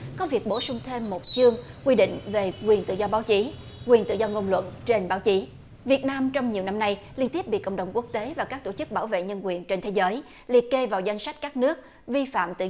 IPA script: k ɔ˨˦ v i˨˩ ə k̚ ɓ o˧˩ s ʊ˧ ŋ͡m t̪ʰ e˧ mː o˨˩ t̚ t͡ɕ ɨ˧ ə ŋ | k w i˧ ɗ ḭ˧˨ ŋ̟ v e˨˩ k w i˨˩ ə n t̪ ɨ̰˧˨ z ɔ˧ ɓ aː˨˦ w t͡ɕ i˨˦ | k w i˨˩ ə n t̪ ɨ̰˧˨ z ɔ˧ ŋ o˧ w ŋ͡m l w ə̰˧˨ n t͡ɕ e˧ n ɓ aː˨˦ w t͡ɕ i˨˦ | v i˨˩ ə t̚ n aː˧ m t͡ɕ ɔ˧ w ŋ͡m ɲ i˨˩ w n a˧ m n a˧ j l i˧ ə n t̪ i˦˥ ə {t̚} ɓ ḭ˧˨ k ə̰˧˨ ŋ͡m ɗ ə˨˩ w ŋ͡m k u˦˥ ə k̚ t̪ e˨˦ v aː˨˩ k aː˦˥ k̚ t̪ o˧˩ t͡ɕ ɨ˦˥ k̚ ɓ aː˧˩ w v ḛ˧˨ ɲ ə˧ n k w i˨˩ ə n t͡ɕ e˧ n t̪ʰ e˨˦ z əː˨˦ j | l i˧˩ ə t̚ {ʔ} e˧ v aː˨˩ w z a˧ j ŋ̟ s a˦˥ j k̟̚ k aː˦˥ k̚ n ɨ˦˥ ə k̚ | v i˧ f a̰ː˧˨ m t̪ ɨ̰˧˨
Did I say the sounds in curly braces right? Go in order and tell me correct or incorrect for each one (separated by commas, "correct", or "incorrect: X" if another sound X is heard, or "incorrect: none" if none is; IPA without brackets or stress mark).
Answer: incorrect: p̚, incorrect: k